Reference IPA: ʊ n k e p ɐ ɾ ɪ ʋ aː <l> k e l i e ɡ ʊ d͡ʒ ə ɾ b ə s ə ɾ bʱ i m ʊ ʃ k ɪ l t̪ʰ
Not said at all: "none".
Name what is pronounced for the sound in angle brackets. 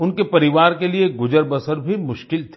ɾ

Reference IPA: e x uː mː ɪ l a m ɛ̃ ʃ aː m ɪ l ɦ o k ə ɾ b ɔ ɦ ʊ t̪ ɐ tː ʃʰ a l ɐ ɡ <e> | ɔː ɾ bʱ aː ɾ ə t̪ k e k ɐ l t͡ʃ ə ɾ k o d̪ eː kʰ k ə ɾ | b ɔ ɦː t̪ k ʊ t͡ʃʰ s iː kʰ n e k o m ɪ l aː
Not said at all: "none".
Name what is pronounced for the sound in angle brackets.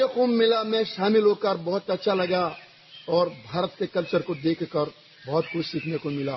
a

